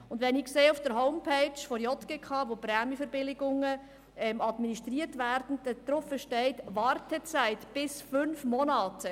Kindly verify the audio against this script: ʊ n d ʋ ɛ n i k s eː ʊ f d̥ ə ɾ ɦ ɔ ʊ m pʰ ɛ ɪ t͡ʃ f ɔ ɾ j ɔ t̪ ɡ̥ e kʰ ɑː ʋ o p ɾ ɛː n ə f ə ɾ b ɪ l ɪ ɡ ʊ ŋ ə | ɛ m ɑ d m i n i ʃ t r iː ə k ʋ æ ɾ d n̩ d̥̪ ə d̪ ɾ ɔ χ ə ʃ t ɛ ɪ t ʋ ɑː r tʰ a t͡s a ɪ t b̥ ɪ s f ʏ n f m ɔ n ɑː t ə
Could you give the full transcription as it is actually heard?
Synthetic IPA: ʊ n d ʋ ɛ n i k s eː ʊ f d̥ ə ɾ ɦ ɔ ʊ m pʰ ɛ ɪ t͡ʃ f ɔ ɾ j ɔ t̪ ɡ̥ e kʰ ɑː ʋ o p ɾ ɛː m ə f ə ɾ b ɪ l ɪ ɡ ʊ ŋ ə | ɛ m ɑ d m i n i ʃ t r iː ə t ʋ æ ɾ d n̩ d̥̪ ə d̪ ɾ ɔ f ə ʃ t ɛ ɪ t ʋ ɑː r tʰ ə t͡s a ɪ t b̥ ɪ s f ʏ n f m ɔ n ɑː t ə